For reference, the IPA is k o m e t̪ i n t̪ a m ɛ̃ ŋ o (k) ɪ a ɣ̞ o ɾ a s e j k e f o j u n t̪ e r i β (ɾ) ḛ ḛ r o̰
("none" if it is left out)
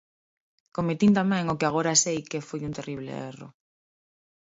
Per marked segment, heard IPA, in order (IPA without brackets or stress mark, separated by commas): k, l